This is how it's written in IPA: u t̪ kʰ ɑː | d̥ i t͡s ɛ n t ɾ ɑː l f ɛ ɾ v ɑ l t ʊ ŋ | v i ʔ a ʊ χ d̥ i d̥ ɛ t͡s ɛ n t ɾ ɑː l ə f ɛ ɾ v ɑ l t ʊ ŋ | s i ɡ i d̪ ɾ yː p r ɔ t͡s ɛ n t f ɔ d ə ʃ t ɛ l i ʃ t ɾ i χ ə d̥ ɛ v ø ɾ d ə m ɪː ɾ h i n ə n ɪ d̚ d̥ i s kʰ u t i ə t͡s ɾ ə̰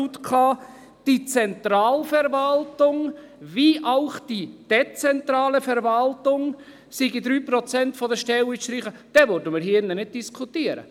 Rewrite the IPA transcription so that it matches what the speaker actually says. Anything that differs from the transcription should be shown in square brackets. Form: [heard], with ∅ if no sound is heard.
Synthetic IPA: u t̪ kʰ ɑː | d̥ i t͡s ɛ n t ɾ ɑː l f ɛ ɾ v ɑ l t ʊ ŋ | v i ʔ a ʊ χ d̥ i d̥ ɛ t͡s ɛ n t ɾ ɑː l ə f ɛ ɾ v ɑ l t ʊ ŋ | s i ɡ i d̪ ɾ yː p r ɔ t͡s ɛ n t f ɔ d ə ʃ t ɛ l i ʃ t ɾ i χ ə d̥ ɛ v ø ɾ d ə m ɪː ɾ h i n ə n ɪ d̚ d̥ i s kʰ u t i ə [∅] ɾ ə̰